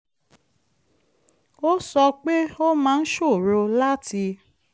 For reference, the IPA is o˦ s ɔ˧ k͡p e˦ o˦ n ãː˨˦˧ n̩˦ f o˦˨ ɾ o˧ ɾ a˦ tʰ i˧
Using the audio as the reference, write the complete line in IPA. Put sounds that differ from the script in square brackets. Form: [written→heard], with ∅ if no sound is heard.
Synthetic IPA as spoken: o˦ s ɔ˧ k͡p e˦ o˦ [n→m] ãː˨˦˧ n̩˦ [f→ʃ] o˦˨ ɾ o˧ [ɾ→l] a˦ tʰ i˧